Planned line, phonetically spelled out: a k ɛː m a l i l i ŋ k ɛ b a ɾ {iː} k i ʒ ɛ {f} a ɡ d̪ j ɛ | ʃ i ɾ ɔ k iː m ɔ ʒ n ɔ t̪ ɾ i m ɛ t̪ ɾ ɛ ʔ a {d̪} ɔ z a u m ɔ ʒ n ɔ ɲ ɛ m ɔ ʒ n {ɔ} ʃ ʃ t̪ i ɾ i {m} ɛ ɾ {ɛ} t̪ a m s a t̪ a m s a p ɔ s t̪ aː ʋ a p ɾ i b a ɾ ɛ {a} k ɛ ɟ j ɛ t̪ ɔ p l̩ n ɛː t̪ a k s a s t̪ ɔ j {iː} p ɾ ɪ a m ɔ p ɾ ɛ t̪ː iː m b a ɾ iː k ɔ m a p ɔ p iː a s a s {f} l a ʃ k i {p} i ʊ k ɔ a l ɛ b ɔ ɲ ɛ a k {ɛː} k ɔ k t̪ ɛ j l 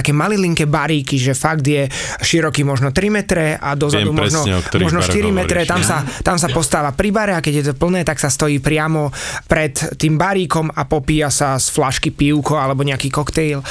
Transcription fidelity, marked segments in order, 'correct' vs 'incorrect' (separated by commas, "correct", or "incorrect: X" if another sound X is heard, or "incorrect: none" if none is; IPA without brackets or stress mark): correct, correct, correct, correct, correct, correct, correct, correct, correct, correct, incorrect: iː